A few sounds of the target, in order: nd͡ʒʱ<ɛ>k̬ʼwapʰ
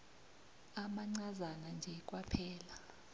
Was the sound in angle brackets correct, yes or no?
yes